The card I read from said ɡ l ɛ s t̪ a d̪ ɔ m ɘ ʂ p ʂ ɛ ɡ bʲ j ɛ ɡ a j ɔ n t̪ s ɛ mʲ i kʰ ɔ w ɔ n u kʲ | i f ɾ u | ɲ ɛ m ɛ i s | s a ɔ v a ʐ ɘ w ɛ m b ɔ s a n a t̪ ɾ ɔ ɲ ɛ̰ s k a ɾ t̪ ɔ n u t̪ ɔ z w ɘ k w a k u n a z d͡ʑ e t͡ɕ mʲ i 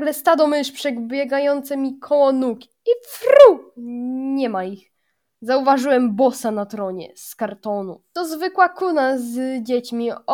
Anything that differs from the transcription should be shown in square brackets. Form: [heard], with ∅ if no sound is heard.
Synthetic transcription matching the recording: ɡ l ɛ s t̪ a d̪ ɔ m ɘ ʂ p ʂ ɛ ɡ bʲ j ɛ ɡ a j ɔ n t̪ s ɛ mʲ i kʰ ɔ w ɔ n u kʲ | i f ɾ u | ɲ ɛ m [a] i [x] | [z] a [u] v a ʐ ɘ w ɛ m b ɔ s a n a t̪ ɾ ɔ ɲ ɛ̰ s k a ɾ t̪ ɔ n u t̪ ɔ z [v] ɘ k w a k u n a z d͡ʑ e t͡ɕ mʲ i